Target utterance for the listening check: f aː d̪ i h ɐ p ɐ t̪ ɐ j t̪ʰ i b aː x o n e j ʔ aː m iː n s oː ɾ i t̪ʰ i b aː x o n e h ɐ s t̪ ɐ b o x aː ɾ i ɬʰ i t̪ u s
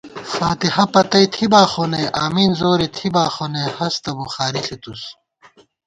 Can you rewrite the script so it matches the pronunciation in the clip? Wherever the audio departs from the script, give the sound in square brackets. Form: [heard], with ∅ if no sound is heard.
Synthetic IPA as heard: f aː [t̪] i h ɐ p ɐ t̪ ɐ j t̪ʰ i b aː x o n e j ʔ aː m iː n [z] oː ɾ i t̪ʰ i b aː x o n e h ɐ s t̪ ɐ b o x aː ɾ i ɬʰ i t̪ u s